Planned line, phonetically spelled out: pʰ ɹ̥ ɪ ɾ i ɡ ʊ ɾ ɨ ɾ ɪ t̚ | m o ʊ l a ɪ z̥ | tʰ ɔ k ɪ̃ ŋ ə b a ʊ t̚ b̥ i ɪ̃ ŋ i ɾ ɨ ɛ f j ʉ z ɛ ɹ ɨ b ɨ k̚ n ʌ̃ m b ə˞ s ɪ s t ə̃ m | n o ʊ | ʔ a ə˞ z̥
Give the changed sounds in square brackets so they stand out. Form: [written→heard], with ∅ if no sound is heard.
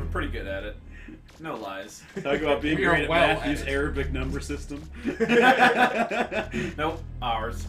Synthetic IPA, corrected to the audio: pʰ ɹ̥ ɪ ɾ i ɡ ʊ ɾ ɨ ɾ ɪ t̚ | [m→n] o ʊ l a ɪ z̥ | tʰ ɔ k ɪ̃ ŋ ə b a ʊ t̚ b̥ i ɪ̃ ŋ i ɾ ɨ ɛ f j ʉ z ɛ ɹ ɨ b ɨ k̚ n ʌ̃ m b ə˞ s ɪ s t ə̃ m | n o ʊ | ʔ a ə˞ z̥